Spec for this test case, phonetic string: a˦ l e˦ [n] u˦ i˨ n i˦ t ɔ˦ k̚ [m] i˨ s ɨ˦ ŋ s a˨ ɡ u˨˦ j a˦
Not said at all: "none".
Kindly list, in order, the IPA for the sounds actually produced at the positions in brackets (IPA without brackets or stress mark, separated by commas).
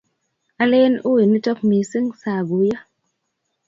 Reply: n, m